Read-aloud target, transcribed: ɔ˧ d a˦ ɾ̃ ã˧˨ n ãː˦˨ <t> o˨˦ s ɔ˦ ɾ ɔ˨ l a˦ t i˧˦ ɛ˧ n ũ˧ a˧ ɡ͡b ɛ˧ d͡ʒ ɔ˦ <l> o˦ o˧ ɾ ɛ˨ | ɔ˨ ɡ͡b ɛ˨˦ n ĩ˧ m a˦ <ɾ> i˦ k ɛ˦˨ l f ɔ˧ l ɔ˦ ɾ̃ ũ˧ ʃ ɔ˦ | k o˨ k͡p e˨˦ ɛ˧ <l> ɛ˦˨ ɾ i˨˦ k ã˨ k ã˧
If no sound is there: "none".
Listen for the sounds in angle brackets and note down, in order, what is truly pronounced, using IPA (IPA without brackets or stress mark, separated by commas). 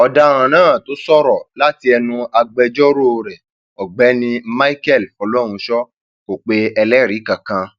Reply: t, ɾ, none, l